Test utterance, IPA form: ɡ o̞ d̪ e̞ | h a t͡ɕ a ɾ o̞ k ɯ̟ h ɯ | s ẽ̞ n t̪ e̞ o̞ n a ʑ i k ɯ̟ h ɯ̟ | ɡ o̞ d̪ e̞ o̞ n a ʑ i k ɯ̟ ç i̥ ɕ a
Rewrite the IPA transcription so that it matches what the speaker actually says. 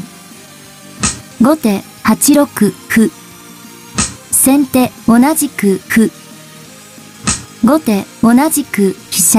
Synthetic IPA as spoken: ɡ o̞ t̪ e̞ | h a t͡ɕ i ɾ o̞ k ɯ̟ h ɯ | s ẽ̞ n t̪ e̞ o̞ n a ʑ i k ɯ̟ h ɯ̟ | ɡ o̞ t̪ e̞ o̞ n a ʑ i k ɯ̟ ç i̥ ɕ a